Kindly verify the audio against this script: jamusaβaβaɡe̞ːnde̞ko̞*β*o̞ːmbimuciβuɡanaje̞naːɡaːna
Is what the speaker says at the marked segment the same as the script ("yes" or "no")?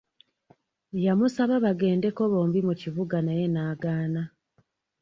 yes